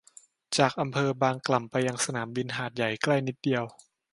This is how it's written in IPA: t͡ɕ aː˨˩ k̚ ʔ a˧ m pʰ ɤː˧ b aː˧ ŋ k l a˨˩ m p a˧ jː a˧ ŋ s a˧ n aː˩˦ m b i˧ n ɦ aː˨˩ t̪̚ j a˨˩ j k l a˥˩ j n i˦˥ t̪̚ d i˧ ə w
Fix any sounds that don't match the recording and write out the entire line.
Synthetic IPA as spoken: t͡ɕ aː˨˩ k̚ ʔ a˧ m pʰ ɤː˧ b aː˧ ŋ k l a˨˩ m p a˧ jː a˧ ŋ s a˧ n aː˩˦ m b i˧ n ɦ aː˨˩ t̪̚ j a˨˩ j k l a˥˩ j n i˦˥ t̪̚ d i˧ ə w